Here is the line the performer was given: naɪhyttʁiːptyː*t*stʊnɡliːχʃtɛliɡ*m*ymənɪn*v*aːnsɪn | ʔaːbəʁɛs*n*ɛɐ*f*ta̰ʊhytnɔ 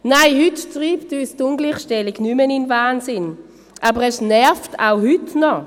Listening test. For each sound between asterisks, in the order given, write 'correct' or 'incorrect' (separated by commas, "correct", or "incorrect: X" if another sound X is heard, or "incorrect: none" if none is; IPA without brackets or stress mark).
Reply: incorrect: none, incorrect: n, correct, correct, correct